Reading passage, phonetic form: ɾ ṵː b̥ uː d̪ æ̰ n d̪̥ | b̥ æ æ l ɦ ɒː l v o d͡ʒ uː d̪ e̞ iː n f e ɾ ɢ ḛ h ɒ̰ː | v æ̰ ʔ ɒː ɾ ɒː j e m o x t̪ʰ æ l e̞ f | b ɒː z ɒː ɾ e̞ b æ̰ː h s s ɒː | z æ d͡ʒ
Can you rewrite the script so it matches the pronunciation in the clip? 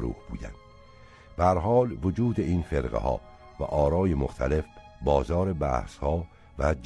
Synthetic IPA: ɾ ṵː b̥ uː d̪ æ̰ n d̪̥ | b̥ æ æ ɾ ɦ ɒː l v o d͡ʒ uː d̪ e̞ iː n f e ɾ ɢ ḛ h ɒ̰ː | v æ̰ ʔ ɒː ɾ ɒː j e m o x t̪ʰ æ l e̞ f | b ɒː z ɒː ɾ e̞ b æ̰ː h s h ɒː | v æ d͡ʒ